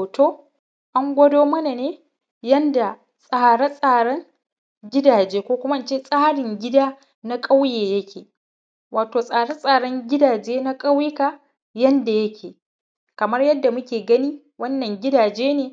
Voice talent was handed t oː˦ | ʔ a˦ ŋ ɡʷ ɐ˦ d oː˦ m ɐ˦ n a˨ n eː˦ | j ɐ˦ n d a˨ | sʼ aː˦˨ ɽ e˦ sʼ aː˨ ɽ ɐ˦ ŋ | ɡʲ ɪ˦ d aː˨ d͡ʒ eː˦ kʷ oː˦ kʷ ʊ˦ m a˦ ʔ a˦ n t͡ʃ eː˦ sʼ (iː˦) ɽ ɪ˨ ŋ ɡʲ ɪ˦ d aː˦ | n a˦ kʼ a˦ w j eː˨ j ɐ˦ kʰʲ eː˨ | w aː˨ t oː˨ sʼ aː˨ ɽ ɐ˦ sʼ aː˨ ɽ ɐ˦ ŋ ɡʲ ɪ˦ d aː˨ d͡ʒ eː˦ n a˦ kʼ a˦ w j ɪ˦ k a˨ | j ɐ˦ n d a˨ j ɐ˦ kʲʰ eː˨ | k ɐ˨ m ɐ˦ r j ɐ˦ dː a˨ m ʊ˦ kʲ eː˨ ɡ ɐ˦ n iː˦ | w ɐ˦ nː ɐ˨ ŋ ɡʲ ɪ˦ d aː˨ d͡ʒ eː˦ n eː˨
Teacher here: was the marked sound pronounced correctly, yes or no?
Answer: no